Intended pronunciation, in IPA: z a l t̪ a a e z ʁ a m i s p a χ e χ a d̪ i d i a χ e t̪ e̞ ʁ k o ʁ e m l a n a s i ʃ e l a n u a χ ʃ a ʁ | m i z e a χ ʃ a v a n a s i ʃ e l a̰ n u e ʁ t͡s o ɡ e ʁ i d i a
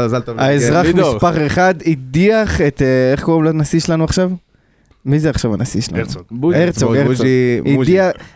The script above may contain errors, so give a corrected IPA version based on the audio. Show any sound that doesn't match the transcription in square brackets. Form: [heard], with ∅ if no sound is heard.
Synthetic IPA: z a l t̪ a a e z ʁ a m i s p a χ e χ a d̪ i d i a χ e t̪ e̞ [χ] k o ʁ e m l a n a s i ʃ e l a n u a χ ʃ a [v] | m i z e a χ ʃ a v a n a s i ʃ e l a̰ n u e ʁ t͡s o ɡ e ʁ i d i a